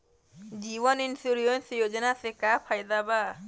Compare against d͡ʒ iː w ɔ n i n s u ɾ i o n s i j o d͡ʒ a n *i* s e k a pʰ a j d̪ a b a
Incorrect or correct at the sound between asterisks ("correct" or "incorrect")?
incorrect